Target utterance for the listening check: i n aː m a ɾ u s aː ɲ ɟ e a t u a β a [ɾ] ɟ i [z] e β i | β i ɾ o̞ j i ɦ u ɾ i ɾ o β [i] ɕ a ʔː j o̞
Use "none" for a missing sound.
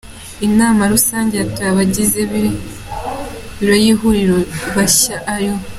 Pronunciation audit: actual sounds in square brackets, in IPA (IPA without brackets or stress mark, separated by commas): none, z, a